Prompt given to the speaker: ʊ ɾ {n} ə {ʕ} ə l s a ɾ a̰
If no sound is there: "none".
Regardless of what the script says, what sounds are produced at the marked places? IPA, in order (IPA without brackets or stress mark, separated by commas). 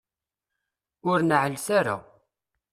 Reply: n, ʕ